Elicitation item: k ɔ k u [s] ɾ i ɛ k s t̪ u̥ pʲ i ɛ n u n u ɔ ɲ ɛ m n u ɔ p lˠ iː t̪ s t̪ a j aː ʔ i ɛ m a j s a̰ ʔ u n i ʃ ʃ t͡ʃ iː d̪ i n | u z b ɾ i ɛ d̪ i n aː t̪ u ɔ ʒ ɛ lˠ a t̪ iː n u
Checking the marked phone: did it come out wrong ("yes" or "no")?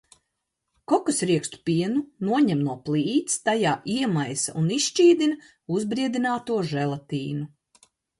no